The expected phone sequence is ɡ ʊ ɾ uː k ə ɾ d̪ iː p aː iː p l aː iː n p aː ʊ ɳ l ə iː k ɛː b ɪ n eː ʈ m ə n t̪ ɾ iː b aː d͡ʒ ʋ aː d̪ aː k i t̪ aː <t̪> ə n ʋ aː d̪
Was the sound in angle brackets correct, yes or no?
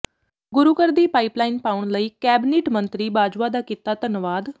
yes